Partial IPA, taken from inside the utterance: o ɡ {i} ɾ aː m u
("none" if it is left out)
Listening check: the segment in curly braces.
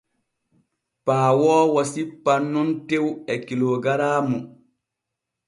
a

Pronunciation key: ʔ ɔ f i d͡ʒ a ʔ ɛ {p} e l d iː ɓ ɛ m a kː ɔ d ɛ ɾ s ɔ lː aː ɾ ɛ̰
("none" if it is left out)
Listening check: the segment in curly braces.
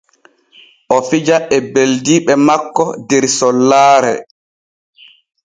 b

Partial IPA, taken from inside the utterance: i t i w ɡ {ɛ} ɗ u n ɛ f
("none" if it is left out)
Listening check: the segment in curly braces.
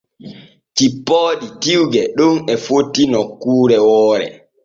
ɛ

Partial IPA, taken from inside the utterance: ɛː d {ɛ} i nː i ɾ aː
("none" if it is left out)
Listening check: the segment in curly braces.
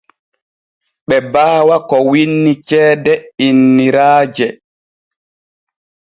ɛ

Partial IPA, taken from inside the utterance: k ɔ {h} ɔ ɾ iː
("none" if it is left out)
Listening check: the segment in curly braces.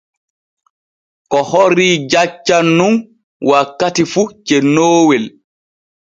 h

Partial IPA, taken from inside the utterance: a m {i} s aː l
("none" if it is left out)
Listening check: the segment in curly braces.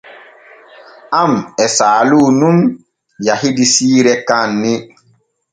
ɛ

